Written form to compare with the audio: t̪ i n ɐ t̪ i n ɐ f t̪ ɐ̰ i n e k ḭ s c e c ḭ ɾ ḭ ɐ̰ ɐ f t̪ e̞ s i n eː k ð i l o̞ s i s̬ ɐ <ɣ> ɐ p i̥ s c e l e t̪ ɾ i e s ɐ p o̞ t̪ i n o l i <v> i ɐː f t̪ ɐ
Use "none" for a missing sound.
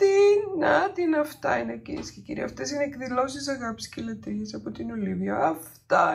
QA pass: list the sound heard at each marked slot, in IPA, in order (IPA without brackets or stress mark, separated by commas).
ɣ, v